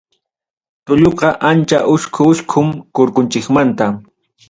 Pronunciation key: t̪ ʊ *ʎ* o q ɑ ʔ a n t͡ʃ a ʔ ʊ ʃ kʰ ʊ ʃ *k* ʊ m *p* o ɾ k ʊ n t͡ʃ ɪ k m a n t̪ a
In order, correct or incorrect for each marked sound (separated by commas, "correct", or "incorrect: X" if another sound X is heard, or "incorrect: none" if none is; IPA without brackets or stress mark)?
correct, incorrect: kʰ, incorrect: k